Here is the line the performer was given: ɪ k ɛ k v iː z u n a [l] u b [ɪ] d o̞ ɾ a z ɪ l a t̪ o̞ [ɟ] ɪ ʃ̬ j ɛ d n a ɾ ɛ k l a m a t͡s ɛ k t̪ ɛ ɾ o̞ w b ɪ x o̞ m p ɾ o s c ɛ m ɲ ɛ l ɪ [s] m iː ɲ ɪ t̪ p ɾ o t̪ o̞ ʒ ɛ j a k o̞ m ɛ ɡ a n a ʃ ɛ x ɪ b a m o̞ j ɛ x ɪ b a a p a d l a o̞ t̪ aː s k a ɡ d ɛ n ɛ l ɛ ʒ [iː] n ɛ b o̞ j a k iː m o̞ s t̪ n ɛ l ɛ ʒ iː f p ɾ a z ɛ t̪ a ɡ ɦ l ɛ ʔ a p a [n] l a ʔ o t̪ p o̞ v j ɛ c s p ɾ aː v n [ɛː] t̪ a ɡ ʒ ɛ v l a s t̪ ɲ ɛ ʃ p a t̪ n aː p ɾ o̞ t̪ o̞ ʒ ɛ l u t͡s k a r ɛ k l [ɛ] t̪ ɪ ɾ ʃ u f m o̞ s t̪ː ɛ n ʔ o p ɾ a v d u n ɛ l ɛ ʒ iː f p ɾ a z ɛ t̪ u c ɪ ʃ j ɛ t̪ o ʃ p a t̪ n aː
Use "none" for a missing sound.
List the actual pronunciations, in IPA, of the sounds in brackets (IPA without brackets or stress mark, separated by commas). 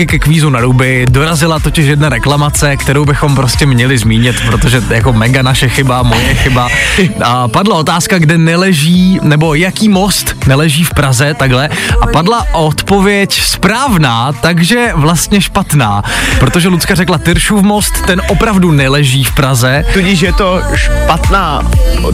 ɾ, ɪ, c, z, iː, d, aː, a